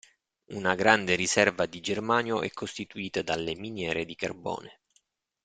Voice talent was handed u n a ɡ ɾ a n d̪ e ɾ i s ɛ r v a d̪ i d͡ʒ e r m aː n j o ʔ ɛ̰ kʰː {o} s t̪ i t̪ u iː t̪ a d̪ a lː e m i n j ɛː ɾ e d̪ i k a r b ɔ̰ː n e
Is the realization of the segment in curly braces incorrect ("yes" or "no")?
no